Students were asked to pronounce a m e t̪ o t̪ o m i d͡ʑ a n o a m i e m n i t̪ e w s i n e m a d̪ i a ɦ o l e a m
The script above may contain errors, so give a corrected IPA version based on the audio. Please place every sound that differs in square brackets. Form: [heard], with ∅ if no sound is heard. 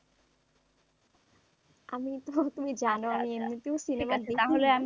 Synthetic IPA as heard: a m [i] t̪ o t̪ [u] m i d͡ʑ a n o a m i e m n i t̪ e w s i n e m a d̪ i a ɦ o l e a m

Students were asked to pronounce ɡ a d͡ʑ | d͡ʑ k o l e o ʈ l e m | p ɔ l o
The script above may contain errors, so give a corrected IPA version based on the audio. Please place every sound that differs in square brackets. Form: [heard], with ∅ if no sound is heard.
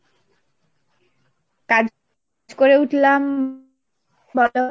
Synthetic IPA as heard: [k] a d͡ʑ | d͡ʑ k o [ɾ] e [u] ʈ l [a] m | [b] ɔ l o

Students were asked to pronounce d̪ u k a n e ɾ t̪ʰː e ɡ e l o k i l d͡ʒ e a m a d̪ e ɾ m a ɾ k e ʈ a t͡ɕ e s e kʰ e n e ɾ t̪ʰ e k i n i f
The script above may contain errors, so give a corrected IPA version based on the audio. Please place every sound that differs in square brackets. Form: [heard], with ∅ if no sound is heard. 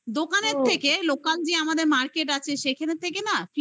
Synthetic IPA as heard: d̪ [o] k a n e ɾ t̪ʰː e [k] e l o k [a] l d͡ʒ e a m a d̪ e ɾ m a ɾ k e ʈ a [t͡ɕʰ] e [ʃ] e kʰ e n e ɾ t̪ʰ e k [e] n [a] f

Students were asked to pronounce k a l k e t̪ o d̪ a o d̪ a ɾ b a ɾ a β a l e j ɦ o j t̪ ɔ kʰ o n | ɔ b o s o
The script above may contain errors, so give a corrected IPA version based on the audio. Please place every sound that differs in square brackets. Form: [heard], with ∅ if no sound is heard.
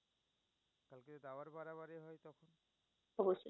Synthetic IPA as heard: k a l k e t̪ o d̪ a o [∅] a ɾ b a ɾ a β a [ɾ] e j ɦ [ɔ] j t̪ ɔ kʰ o n | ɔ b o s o

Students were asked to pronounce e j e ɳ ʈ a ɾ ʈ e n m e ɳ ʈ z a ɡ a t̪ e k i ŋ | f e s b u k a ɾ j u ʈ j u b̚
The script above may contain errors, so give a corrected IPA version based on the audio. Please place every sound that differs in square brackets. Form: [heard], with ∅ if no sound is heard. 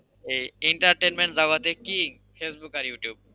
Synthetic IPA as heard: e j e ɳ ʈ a ɾ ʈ e n m e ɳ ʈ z a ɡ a t̪ e k i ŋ | f e s b u k a ɾ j u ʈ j u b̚

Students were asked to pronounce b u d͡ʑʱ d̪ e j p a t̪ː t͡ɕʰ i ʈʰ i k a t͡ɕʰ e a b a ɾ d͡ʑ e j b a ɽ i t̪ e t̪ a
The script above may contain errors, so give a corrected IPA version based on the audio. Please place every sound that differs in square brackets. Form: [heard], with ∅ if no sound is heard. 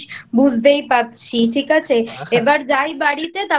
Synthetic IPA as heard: b u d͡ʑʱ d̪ e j p a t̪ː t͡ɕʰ i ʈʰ i k a t͡ɕʰ e [e] b a ɾ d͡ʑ [a] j b a ɽ i t̪ e t̪ a

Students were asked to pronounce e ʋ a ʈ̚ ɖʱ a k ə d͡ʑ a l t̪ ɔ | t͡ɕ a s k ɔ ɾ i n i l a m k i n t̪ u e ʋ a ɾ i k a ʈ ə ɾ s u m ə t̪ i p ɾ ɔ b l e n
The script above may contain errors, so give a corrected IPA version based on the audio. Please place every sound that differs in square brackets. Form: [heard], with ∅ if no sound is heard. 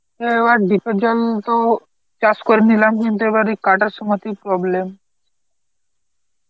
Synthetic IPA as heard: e ʋ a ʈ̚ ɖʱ [i] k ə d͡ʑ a l t̪ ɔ | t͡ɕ a s k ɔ ɾ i n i l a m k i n t̪ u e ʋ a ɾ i k a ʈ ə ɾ s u m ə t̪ i p ɾ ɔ b l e [m]

